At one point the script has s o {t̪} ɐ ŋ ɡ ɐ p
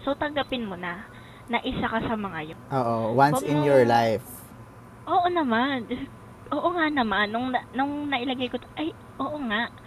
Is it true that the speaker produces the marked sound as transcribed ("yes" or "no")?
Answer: yes